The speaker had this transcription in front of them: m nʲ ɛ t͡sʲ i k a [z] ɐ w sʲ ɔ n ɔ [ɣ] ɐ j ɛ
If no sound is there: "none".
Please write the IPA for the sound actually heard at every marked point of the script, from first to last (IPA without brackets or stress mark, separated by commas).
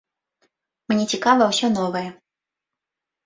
v, v